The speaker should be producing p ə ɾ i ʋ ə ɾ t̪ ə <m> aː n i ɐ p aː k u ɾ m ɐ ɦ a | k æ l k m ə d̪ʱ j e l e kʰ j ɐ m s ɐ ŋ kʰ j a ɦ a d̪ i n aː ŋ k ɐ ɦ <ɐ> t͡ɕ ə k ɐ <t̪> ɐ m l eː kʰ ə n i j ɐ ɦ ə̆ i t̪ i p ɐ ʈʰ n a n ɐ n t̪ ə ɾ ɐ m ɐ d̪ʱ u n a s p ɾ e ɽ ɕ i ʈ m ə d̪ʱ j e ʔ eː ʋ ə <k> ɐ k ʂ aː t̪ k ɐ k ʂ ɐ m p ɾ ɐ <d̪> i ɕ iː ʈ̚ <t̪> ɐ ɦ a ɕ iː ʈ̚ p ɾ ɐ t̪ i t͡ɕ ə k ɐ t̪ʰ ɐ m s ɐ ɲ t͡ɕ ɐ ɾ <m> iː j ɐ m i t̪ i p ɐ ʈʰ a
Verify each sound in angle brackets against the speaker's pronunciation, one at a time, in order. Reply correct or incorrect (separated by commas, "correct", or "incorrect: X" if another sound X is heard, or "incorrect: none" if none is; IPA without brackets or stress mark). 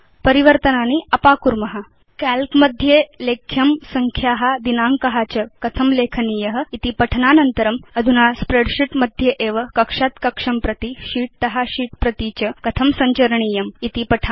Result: incorrect: n, incorrect: a, incorrect: t̪ʰ, correct, incorrect: t̪, correct, incorrect: ɳ